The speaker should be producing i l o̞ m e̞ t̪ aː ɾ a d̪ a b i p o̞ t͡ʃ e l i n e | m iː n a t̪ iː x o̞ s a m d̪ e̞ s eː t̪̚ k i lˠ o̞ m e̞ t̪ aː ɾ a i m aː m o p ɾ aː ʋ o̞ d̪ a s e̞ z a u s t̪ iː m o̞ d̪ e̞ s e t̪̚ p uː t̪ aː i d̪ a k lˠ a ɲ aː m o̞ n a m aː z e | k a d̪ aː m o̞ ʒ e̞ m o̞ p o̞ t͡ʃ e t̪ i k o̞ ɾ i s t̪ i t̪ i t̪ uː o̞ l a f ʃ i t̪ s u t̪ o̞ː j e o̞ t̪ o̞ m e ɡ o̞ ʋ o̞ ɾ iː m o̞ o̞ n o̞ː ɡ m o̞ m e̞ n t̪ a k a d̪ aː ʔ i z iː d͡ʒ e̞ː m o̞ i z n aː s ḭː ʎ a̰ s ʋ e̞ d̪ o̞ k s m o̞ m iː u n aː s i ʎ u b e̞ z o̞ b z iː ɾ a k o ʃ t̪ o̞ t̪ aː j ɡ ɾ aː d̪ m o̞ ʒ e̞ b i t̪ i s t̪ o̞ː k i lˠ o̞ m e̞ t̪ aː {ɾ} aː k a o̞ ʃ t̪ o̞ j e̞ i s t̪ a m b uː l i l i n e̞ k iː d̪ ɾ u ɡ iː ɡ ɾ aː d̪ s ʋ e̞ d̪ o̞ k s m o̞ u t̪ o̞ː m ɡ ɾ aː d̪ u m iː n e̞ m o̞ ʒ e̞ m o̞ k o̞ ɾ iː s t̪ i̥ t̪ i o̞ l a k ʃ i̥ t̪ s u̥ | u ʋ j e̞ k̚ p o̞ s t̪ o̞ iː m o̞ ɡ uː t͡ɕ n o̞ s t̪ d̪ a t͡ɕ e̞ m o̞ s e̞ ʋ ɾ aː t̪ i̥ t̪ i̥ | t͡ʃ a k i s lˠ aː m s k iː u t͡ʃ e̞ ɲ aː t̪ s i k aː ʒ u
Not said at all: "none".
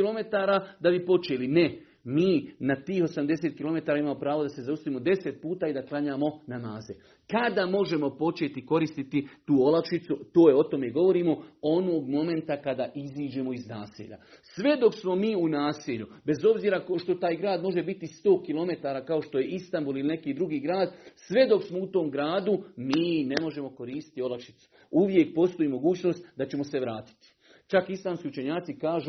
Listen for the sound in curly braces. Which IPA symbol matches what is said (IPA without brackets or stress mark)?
ɾ